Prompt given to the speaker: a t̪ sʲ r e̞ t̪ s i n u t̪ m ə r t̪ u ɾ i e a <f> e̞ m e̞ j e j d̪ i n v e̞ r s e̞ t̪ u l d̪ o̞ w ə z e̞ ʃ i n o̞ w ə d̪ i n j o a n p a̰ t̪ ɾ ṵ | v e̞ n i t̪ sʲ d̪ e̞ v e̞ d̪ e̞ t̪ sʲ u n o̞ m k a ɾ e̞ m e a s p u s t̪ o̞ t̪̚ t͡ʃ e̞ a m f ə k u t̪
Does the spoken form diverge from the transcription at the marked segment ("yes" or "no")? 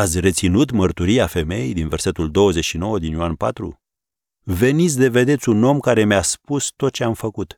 no